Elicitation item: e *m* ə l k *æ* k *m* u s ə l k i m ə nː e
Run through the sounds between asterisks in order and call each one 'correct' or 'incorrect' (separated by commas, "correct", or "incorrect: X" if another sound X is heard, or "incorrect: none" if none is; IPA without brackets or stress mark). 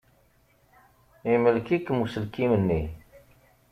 correct, incorrect: i, correct